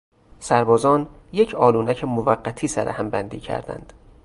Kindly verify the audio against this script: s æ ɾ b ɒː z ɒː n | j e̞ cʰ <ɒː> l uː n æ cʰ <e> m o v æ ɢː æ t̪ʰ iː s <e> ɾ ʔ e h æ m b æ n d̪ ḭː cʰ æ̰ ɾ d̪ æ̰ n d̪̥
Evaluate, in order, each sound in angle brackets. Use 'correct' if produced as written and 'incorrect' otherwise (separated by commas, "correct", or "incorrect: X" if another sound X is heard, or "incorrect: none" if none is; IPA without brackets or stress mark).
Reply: correct, correct, incorrect: æ